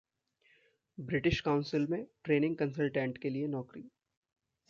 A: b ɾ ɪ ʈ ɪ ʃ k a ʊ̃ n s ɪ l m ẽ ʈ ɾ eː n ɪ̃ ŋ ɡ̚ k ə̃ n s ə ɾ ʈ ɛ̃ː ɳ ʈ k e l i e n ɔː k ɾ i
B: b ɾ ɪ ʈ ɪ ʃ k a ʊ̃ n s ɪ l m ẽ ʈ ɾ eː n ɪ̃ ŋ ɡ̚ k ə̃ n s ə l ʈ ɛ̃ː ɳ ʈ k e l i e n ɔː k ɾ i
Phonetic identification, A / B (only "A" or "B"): B